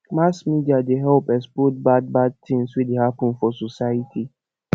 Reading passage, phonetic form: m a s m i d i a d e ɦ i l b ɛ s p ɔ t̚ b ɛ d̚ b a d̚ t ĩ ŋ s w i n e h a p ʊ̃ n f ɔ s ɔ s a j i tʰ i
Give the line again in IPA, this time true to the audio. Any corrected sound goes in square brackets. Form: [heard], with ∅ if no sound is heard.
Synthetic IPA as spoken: m a s m i d i a d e ɦ [ɛ] l [p] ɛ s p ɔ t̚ b [a] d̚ b a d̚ t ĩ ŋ s w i [d] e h a p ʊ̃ n f ɔ s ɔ s a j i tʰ i